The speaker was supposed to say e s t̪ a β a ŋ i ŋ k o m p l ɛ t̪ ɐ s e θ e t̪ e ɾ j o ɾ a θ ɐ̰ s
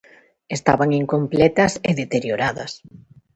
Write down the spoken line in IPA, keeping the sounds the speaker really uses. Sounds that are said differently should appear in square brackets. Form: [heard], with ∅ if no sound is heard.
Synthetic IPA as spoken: e s t̪ a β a ŋ i ŋ k o m p l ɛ t̪ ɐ s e [ð] e t̪ e ɾ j o ɾ a [ð] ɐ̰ s